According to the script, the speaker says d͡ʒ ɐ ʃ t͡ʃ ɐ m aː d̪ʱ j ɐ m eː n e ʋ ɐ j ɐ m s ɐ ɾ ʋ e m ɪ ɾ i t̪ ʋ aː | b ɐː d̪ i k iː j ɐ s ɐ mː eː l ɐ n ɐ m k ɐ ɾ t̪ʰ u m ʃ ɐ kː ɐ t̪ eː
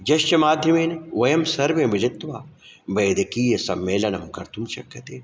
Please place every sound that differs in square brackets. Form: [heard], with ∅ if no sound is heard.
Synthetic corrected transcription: d͡ʒ ɐ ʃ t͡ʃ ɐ m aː d̪ʱ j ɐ m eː n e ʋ ɐ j ɐ m s ɐ ɾ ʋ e m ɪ [l] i t̪ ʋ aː | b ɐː d̪ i k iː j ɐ s ɐ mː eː l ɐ n ɐ m k ɐ ɾ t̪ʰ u m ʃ ɐ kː ɐ t̪ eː